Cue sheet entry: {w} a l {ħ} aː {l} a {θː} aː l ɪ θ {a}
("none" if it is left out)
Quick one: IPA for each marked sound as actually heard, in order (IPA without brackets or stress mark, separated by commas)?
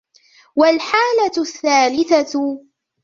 w, ħ, l, θː, a